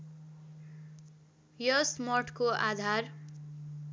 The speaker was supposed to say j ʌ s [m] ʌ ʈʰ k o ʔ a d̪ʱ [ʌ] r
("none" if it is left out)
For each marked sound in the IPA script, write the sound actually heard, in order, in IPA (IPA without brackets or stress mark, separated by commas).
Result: m, a